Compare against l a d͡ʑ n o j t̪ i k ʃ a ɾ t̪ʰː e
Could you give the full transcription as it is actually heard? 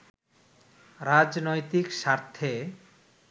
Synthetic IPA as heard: ɾ a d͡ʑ n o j t̪ i k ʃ a ɾ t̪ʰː e